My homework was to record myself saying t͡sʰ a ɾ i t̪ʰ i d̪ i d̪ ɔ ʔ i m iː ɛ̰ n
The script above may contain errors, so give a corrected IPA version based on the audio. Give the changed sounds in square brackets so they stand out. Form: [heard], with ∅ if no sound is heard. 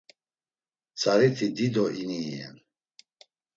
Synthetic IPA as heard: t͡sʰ a ɾ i t̪ʰ i d̪ i d̪ ɔ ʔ i [n] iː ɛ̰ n